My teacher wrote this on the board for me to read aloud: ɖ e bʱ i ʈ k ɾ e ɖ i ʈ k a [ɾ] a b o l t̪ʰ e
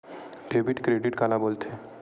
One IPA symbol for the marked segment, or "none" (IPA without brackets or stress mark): l